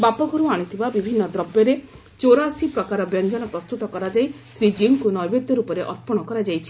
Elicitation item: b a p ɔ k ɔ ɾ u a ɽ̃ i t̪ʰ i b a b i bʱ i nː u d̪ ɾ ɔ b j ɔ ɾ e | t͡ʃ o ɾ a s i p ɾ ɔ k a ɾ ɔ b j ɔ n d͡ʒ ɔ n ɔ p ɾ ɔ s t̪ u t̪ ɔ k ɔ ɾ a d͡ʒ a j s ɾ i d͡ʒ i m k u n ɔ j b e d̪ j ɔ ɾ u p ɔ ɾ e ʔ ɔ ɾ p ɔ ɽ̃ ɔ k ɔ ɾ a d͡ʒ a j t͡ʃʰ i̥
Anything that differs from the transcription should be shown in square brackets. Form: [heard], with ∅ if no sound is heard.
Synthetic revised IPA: b a p ɔ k ɔ ɾ u a ɽ̃ i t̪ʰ i b a b i bʱ i nː [ɔ] d̪ ɾ ɔ b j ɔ ɾ e | t͡ʃ o ɾ a s i p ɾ ɔ k a ɾ ɔ b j ɔ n d͡ʒ ɔ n ɔ p ɾ ɔ s t̪ u t̪ ɔ k ɔ ɾ a d͡ʒ a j s ɾ i d͡ʒ i m k u n ɔ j b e d̪ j ɔ ɾ u p ɔ ɾ e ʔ ɔ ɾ p ɔ ɽ̃ ɔ k ɔ ɾ a d͡ʒ a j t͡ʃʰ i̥